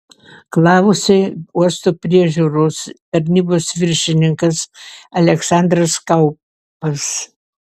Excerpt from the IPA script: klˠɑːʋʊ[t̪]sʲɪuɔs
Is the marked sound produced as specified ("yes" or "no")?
no